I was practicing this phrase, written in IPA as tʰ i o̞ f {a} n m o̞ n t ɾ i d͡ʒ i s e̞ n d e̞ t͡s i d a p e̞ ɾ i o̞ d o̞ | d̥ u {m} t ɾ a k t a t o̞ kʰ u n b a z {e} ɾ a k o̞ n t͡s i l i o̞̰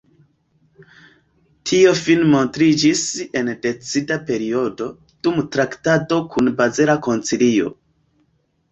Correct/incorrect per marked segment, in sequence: incorrect, correct, correct

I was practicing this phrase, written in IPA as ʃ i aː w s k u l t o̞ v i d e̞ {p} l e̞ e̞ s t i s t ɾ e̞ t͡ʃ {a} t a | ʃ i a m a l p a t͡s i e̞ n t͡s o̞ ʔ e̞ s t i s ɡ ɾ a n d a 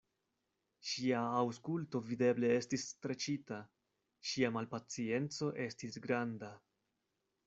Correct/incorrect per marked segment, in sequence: incorrect, incorrect

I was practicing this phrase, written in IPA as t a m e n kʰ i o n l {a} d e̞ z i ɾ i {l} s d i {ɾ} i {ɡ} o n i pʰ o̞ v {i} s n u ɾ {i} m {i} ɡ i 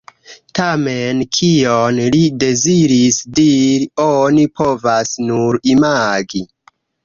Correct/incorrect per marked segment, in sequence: incorrect, incorrect, correct, incorrect, incorrect, correct, incorrect

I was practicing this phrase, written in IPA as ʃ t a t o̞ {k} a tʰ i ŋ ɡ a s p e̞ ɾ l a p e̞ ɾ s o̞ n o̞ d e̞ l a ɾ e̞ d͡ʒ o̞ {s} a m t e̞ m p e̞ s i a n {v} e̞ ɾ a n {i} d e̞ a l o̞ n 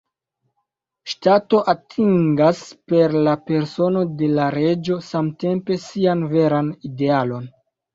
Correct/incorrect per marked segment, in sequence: incorrect, correct, correct, correct

